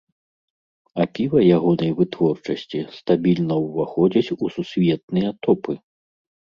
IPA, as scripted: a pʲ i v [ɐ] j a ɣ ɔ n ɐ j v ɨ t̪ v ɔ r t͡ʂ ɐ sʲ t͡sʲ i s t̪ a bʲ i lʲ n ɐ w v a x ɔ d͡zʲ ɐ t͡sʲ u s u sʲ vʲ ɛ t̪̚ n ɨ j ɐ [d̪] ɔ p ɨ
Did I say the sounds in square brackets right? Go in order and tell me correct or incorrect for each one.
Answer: correct, incorrect

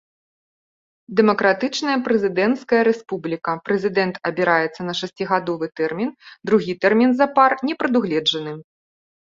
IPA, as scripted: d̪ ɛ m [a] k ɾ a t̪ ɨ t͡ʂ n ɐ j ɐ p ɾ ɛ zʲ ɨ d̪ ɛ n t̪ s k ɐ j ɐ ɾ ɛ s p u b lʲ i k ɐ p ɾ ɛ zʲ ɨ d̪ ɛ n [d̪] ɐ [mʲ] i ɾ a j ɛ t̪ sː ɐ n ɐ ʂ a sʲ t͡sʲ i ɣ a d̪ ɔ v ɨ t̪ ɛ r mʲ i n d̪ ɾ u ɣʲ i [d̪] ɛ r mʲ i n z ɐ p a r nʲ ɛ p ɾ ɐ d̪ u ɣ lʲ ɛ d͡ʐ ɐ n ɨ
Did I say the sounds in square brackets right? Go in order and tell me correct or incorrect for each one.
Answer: incorrect, incorrect, incorrect, incorrect

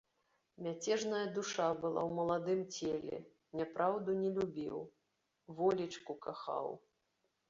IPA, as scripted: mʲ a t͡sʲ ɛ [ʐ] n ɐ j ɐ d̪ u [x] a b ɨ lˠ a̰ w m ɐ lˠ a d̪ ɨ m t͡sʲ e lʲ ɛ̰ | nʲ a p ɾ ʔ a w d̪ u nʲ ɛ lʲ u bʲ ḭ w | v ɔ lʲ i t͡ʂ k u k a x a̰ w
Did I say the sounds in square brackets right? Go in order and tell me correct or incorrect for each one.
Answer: correct, incorrect

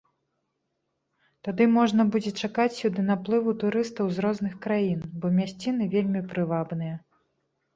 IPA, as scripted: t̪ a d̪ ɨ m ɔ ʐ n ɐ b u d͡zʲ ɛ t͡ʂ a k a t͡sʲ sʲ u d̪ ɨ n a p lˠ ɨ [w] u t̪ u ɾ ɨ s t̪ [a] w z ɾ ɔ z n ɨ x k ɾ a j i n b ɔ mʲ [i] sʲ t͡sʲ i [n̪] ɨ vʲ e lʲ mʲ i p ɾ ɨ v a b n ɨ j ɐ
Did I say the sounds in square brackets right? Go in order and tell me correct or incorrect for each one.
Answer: incorrect, incorrect, incorrect, correct

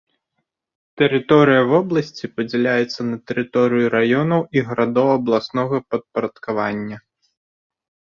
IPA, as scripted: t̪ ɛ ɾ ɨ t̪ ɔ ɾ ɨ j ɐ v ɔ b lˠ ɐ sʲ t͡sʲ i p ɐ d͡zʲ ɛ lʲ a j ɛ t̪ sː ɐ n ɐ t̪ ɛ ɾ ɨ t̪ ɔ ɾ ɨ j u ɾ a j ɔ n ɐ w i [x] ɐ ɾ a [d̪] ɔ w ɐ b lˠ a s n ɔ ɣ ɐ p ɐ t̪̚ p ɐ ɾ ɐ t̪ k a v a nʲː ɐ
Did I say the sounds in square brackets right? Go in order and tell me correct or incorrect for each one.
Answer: incorrect, correct

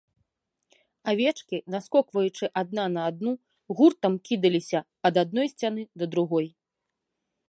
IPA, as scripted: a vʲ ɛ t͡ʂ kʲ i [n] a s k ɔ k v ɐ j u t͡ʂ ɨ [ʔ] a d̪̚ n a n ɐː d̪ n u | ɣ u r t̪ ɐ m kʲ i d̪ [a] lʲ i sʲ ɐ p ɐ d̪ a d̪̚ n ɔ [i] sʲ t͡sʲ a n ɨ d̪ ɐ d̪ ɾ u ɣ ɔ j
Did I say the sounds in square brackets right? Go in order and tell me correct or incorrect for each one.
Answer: correct, correct, incorrect, incorrect

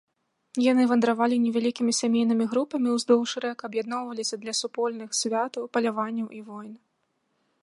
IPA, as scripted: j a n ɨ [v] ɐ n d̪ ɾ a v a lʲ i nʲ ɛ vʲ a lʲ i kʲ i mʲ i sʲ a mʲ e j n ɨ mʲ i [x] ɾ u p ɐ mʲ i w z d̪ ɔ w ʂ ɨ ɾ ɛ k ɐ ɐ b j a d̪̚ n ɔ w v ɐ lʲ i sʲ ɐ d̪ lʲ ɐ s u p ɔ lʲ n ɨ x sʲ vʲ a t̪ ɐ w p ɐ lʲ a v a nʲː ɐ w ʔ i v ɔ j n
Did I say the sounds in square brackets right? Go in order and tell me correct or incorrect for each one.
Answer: correct, incorrect

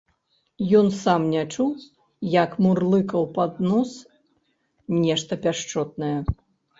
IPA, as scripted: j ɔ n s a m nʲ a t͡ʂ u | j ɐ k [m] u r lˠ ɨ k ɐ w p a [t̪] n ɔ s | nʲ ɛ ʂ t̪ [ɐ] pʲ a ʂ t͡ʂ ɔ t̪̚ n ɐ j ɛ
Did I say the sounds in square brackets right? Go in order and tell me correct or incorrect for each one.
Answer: correct, incorrect, correct

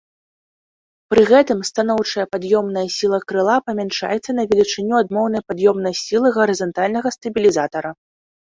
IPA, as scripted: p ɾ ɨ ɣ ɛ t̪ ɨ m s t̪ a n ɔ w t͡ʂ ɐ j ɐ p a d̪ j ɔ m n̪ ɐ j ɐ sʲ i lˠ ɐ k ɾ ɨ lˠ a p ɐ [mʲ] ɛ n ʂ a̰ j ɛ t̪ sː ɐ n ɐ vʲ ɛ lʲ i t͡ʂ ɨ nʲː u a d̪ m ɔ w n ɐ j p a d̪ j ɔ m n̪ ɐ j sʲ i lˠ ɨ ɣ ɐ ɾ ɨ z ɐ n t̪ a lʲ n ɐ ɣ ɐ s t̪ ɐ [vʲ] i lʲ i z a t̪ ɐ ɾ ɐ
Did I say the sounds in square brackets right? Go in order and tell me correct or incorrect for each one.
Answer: correct, incorrect

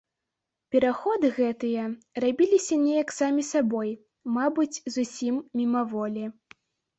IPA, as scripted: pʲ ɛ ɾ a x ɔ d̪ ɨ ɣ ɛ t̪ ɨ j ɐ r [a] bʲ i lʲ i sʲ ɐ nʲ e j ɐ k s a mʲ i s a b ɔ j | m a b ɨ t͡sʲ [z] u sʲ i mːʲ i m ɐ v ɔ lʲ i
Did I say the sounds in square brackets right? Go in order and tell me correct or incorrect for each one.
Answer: correct, correct

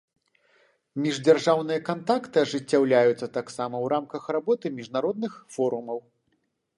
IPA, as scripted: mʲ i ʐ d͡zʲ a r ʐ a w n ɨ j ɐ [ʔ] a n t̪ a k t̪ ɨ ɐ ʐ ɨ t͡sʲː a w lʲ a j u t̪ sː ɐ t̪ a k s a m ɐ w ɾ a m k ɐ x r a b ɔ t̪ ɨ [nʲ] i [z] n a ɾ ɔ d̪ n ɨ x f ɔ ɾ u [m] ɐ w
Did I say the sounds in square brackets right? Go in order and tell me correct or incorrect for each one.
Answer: incorrect, incorrect, incorrect, correct

